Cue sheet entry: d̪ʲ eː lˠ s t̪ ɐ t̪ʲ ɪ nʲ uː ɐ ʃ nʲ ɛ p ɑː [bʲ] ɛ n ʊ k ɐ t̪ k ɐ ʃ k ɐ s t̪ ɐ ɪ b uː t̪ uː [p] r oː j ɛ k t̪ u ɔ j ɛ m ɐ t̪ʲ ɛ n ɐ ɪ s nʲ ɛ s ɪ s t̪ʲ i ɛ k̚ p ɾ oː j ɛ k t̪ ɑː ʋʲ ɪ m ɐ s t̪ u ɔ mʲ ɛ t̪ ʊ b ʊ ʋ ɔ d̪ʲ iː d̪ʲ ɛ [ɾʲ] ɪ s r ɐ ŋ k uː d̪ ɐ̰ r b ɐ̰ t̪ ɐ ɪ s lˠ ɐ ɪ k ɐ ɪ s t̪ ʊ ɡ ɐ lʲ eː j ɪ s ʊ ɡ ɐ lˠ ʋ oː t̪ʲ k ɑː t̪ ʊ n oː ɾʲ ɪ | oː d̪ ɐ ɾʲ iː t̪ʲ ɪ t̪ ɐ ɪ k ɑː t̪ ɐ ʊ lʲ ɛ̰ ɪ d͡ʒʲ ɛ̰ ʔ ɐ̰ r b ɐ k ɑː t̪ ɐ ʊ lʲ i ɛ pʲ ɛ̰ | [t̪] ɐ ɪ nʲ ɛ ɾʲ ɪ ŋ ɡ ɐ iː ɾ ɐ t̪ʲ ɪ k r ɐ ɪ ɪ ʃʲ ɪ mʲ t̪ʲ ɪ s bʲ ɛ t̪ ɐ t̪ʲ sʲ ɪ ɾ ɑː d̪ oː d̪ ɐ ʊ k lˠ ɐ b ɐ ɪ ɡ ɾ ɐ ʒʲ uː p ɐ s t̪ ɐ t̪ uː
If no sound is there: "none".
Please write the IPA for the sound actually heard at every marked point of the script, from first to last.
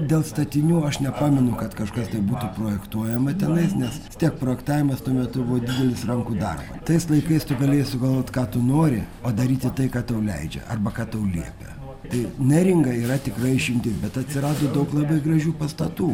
mʲ, p, lʲ, t̪

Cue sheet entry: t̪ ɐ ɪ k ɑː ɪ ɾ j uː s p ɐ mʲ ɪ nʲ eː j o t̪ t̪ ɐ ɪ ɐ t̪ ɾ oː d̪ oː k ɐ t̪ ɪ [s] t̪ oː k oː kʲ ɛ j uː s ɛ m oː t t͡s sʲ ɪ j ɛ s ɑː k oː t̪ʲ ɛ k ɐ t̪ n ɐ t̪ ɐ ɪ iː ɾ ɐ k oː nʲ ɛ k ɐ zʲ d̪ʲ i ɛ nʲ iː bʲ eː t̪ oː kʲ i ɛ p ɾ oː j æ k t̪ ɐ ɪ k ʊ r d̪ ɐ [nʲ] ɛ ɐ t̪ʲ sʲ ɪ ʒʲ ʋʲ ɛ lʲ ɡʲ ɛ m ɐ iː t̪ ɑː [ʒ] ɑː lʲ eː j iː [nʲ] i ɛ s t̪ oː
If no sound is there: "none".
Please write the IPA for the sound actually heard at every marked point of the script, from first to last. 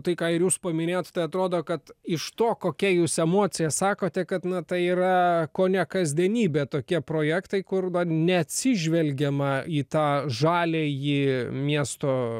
ʃ, nʲ, ʒ, mʲ

